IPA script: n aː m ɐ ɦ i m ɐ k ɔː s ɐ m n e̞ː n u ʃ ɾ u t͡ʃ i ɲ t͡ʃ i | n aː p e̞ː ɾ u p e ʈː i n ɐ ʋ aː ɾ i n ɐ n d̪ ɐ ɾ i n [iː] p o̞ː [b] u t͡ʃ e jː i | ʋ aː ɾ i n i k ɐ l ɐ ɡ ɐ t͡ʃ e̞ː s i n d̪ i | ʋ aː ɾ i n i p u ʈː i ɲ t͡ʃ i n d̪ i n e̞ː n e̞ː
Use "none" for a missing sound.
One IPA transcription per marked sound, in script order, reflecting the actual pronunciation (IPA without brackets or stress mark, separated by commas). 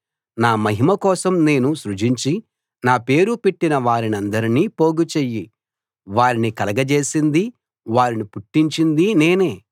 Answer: iː, ɡ